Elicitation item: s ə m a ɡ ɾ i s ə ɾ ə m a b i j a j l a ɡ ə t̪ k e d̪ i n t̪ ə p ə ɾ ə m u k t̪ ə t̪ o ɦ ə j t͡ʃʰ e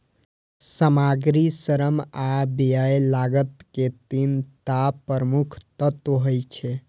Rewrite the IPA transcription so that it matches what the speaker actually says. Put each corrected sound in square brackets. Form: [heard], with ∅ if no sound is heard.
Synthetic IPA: s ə m a ɡ ɾ i s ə ɾ ə m a b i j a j l a ɡ ə t̪ k e [t̪] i n t̪ [a] p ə ɾ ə m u [kʰ] t̪ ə t̪ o ɦ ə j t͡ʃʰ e